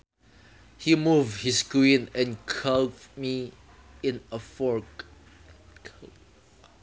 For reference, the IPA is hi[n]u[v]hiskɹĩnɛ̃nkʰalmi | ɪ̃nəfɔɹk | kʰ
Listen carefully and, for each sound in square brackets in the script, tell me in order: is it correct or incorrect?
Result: incorrect: m, correct

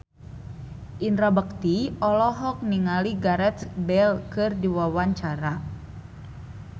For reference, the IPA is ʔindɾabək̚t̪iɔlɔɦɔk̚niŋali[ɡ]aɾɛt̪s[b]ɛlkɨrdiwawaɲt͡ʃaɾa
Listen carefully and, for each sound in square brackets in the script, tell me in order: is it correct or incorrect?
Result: correct, correct

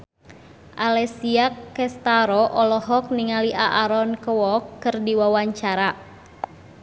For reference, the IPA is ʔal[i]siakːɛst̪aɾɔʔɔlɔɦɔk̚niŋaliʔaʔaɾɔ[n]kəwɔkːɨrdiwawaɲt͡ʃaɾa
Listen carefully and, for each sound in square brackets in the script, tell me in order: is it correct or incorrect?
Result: incorrect: ɛ, correct

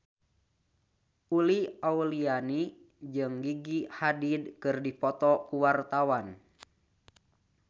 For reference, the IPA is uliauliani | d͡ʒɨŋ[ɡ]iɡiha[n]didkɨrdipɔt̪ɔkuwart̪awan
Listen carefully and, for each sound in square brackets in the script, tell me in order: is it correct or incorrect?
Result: correct, incorrect: none

